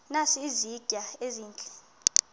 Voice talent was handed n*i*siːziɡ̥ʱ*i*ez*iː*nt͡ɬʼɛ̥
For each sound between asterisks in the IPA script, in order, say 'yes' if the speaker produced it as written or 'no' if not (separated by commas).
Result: no, no, yes